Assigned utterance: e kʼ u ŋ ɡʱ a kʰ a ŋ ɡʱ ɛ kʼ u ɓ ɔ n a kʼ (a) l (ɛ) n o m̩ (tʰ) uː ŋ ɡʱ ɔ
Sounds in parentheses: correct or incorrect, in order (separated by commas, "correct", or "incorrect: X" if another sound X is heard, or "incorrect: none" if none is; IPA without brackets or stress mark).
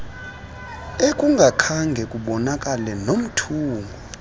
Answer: correct, correct, correct